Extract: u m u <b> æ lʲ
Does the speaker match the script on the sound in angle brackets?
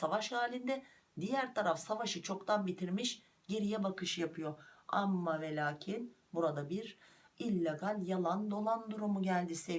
no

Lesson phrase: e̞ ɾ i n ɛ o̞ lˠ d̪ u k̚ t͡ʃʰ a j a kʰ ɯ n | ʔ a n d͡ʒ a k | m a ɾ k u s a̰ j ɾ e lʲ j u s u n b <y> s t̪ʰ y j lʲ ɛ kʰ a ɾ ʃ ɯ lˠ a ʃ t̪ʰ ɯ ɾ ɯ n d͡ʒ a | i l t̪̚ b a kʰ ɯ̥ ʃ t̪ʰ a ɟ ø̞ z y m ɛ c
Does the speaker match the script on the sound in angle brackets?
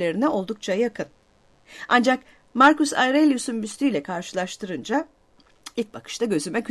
yes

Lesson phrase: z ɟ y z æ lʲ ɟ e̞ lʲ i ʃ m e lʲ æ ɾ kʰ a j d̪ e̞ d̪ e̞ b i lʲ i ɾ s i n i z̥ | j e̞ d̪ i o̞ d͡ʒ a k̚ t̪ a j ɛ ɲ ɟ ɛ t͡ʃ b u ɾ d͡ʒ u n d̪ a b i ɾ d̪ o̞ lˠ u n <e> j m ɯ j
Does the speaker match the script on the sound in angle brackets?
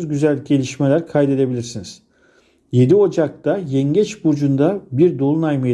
no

